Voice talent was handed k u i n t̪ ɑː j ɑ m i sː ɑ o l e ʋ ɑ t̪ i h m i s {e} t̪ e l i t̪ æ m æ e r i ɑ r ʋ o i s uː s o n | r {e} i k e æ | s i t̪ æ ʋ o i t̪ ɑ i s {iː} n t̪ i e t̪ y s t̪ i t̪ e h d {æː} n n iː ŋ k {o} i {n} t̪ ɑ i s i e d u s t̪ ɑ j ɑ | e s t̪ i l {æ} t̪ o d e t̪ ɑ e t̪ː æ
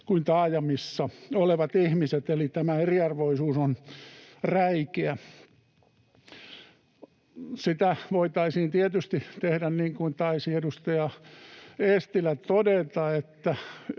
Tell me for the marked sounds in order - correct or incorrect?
correct, incorrect: æ, correct, incorrect: æ, incorrect: u, correct, correct

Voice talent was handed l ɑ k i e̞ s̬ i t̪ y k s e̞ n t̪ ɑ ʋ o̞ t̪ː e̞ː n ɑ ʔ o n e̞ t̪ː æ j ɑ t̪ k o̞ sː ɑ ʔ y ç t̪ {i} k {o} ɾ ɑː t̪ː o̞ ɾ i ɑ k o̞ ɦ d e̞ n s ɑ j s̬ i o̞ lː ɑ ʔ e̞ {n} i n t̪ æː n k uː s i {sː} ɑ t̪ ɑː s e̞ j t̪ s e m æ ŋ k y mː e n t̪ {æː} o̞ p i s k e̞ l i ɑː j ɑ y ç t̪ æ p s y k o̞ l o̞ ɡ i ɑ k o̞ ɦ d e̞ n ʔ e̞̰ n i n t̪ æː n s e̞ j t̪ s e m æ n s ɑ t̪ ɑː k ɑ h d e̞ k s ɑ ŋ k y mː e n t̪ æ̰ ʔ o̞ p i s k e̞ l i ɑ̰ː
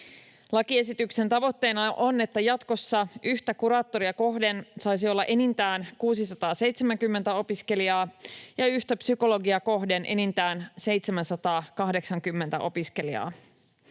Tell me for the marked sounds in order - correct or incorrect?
incorrect: æ, incorrect: u, correct, incorrect: s, incorrect: æ

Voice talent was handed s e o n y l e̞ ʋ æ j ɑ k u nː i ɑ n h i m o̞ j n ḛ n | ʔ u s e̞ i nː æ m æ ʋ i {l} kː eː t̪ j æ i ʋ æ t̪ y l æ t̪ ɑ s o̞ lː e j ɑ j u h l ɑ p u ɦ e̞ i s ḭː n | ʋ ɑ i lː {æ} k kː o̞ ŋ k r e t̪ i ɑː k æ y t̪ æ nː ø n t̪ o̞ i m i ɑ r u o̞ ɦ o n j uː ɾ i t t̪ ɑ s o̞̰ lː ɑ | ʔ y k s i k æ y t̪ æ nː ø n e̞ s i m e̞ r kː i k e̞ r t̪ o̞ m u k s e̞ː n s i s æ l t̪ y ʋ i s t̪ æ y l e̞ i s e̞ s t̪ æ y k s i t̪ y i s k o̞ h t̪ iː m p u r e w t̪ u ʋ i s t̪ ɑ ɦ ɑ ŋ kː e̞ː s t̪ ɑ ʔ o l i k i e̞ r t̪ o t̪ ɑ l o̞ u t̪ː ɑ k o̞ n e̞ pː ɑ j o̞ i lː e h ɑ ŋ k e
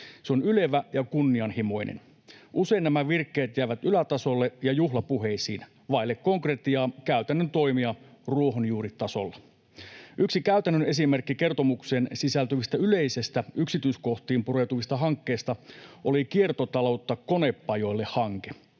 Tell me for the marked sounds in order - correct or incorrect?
incorrect: r, incorrect: e

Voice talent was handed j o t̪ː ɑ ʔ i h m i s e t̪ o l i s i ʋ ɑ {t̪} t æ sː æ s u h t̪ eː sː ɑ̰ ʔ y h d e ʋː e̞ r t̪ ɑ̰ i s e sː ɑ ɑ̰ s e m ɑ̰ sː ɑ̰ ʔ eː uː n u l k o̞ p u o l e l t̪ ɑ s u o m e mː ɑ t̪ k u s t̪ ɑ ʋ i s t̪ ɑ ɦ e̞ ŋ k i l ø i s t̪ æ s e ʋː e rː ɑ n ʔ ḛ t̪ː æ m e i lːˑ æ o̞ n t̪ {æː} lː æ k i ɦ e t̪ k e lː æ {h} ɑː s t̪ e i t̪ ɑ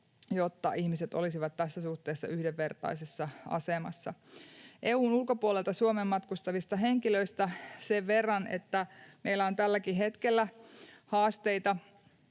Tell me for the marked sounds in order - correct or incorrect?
correct, incorrect: æ, correct

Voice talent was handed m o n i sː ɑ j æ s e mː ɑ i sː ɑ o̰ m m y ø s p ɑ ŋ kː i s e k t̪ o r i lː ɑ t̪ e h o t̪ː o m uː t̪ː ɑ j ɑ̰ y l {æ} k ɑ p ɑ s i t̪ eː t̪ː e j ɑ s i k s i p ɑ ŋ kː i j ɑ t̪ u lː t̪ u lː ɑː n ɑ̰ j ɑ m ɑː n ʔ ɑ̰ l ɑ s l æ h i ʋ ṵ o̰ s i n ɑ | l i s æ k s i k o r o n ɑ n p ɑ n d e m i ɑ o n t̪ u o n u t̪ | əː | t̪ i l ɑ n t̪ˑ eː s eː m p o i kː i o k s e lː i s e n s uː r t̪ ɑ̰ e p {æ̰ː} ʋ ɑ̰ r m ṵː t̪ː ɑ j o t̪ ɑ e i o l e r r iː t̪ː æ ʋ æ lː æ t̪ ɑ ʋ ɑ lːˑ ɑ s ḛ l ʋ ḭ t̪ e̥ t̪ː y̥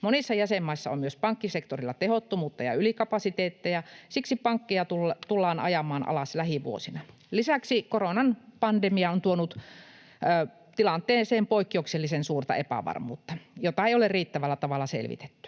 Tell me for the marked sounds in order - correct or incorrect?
incorrect: i, incorrect: æ̰

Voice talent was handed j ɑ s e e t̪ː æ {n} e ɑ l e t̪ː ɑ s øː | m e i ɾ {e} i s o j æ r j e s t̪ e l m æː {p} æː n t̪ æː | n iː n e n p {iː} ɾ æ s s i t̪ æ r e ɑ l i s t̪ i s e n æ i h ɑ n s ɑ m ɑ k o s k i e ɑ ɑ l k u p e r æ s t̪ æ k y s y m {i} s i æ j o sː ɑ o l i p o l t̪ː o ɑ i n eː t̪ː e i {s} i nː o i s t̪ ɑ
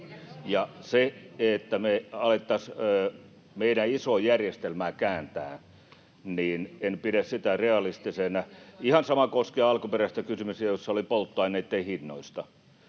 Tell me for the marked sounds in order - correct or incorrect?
incorrect: m, incorrect: æ, incorrect: k, incorrect: i, incorrect: y, incorrect: h

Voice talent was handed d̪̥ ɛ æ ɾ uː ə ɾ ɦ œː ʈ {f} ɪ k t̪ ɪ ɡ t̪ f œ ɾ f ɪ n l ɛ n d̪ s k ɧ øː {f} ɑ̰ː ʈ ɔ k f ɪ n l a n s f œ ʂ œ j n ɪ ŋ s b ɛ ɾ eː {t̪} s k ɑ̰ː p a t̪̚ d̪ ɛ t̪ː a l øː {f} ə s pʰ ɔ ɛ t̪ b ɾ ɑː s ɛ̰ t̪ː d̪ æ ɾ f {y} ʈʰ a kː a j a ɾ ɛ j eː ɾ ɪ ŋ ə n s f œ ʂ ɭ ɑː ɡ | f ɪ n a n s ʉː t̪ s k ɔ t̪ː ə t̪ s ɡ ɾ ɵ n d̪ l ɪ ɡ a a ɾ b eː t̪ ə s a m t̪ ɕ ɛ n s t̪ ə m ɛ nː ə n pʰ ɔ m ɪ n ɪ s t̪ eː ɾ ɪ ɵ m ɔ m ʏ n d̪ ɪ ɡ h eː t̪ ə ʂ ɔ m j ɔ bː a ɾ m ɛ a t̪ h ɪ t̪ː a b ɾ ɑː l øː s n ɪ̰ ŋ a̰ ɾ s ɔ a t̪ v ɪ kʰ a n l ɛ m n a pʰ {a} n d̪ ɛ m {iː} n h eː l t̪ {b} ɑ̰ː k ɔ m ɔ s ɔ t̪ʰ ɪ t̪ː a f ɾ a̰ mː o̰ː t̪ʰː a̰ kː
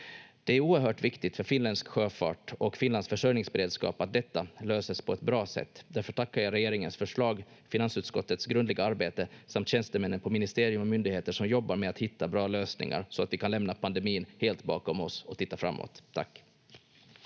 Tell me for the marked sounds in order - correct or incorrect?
incorrect: v, correct, incorrect: d̪, incorrect: s, incorrect: œ, correct, correct, correct

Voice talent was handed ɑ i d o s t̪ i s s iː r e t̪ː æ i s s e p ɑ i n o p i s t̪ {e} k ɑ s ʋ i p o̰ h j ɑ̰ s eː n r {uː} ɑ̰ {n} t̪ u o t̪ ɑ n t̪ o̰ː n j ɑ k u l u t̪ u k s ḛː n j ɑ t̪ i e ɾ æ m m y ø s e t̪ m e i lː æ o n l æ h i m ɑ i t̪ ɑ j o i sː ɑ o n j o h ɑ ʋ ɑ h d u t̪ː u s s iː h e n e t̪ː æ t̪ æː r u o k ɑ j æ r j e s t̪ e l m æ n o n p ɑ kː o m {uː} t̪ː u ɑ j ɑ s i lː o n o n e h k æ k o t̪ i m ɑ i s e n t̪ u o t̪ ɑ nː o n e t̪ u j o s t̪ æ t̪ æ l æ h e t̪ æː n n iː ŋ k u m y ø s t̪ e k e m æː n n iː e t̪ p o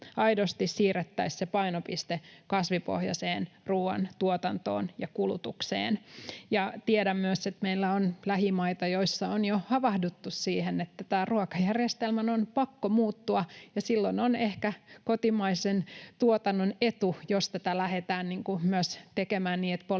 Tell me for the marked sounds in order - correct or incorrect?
correct, correct, correct, correct

